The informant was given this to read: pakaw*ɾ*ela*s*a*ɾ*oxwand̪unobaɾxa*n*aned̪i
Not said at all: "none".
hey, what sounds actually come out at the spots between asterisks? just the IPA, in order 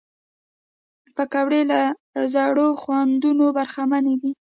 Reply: ɽ, z, ɽ, m

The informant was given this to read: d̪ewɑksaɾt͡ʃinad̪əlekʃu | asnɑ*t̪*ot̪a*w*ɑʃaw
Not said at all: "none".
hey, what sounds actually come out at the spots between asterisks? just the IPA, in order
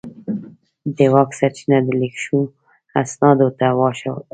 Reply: d̪, w

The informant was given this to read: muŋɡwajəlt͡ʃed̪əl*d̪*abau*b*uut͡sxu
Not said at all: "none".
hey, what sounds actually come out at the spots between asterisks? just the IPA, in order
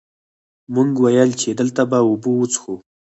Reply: t̪, b

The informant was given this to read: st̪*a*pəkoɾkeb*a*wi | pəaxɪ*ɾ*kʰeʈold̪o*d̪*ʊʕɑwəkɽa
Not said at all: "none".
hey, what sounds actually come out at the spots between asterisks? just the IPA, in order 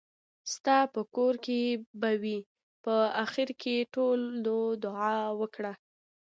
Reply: ɑ, a, ɾ, d̪

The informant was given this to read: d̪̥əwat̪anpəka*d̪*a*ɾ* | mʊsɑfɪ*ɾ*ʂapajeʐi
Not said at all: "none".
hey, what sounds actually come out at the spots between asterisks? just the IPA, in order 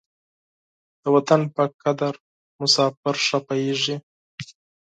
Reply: d̪, ɾ, ɾ

